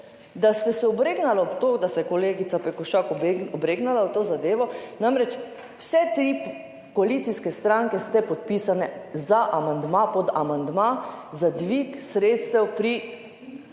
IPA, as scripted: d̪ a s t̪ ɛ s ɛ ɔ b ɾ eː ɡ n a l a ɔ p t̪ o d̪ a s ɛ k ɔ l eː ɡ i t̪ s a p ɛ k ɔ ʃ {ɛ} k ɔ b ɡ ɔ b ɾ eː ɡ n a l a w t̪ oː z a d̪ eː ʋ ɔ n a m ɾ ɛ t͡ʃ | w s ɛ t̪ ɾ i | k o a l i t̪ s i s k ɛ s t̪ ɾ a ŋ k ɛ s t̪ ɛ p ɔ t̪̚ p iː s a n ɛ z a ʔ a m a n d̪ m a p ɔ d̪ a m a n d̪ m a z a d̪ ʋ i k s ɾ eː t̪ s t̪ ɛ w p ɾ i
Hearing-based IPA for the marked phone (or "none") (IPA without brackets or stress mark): a